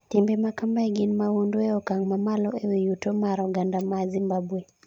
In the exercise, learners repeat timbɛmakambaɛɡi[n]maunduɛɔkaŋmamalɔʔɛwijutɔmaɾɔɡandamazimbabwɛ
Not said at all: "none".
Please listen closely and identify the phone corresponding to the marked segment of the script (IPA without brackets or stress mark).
n